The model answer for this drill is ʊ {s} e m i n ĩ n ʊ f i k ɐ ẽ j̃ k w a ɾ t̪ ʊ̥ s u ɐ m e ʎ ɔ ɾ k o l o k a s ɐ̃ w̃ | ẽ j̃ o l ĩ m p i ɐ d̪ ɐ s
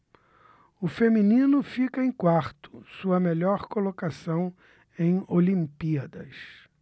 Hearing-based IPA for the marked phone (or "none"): f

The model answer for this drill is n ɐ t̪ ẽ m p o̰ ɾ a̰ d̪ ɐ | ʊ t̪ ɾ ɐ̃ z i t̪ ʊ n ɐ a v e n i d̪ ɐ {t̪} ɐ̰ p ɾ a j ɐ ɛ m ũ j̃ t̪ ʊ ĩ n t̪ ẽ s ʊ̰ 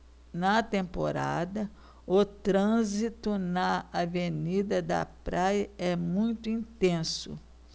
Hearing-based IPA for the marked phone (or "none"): d̪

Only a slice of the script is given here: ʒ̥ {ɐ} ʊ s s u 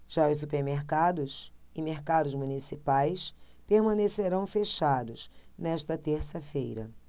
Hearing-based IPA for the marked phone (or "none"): a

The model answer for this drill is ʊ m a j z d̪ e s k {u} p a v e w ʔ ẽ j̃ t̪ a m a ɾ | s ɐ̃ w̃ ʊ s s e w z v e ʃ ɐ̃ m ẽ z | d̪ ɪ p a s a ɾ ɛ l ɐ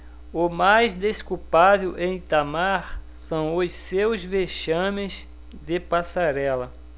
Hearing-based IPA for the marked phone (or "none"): u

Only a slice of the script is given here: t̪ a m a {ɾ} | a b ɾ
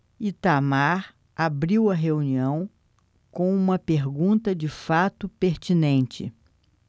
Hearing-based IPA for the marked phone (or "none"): ɾ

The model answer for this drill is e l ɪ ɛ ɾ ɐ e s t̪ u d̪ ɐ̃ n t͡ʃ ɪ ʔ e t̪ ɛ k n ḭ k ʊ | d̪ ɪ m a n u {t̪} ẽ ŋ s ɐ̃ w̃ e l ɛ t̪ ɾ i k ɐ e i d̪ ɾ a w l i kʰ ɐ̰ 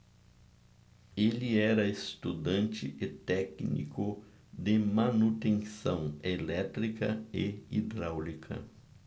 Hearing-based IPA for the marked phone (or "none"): t̪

